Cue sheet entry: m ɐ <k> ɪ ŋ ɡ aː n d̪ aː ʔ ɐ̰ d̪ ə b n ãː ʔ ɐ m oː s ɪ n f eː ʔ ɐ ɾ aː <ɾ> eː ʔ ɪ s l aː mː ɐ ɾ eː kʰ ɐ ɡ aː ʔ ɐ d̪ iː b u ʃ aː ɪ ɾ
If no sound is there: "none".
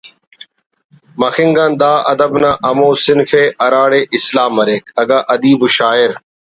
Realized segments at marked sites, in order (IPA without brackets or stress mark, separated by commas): x, ɽ